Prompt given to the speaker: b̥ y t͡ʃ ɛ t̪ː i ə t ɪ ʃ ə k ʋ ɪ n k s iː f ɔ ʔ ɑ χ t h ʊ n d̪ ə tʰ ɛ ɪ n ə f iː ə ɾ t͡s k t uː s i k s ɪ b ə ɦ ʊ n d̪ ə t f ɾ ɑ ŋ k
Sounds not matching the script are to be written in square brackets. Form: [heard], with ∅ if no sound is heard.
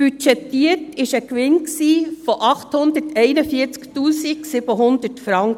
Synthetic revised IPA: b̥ y t͡ʃ ɛ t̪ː i ə t ɪ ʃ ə k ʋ ɪ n k s iː f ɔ ʔ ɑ χ t h ʊ n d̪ ə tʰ ɛ ɪ n ə f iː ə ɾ t͡s k t uː s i k s ɪ b ə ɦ ʊ n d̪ ə t f ɾ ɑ ŋ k